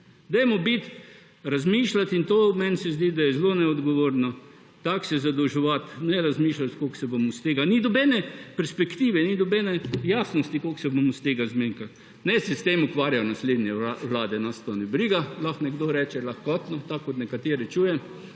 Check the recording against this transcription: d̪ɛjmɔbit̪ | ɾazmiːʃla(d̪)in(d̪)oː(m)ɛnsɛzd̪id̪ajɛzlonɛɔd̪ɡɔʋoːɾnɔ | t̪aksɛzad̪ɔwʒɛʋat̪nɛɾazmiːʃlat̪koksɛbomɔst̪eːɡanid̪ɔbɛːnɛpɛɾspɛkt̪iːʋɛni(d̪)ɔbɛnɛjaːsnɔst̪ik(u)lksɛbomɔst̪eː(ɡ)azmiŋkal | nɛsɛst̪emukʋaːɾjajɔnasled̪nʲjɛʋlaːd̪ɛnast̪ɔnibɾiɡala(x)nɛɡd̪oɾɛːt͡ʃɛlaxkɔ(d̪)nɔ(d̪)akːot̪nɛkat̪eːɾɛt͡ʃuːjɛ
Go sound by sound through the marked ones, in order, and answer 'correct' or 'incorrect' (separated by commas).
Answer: incorrect, incorrect, correct, correct, incorrect, correct, correct, incorrect, incorrect